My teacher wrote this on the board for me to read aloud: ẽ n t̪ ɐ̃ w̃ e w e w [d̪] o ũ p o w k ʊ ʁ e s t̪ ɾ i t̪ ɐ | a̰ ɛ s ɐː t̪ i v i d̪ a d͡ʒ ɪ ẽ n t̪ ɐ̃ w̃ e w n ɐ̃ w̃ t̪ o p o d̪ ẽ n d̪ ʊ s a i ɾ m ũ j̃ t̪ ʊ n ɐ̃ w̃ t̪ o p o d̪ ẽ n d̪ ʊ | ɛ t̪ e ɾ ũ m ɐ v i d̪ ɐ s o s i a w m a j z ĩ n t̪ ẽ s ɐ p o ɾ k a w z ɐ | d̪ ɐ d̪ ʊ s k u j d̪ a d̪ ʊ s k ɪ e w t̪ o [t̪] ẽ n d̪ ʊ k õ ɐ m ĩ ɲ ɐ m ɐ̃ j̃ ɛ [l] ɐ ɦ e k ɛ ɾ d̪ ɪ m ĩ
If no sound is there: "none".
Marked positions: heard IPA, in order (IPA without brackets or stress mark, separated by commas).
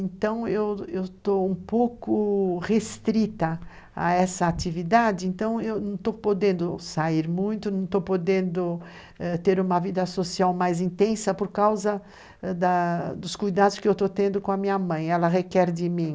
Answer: t̪, t̪, l